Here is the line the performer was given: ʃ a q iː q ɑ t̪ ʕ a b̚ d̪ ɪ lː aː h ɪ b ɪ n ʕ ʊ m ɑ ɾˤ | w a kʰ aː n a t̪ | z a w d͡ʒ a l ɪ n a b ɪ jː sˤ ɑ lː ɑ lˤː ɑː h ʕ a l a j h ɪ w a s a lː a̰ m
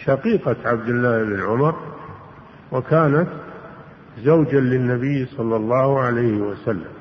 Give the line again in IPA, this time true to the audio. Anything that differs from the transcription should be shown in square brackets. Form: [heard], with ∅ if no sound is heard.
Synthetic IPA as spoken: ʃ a q iː q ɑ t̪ ʕ a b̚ d̪ ɪ lː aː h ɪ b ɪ n ʕ ʊ m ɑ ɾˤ | w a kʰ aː n a t̪ | z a w d͡ʒ a l ɪ [nː] a b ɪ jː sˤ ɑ lː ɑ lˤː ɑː h ʕ a l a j h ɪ w a s a lː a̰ m